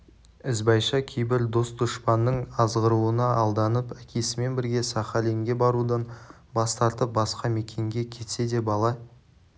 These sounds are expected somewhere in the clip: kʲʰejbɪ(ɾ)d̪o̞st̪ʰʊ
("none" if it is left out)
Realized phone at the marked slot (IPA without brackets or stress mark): ɾ